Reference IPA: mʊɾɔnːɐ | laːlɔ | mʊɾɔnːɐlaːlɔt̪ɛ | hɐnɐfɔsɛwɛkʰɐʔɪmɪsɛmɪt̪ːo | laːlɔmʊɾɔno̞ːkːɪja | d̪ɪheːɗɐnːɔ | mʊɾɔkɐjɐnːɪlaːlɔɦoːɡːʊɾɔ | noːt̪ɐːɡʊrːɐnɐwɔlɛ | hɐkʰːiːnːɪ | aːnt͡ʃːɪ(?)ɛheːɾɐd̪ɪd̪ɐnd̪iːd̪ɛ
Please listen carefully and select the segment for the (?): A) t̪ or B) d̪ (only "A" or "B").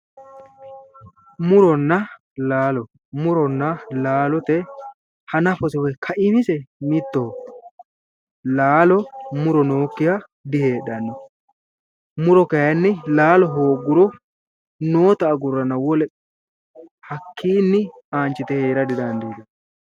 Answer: A